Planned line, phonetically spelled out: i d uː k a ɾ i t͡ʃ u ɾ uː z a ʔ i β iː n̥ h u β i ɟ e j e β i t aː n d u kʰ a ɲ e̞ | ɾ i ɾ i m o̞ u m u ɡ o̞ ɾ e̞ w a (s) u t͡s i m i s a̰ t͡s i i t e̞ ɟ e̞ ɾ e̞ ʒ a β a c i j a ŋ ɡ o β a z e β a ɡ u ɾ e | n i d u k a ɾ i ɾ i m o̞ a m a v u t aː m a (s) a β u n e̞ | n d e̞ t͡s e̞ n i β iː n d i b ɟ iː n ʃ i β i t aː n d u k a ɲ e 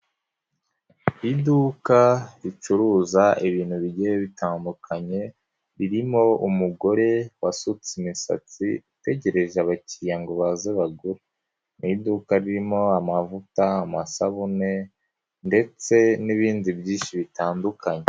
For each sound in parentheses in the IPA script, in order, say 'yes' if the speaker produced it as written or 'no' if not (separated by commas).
yes, yes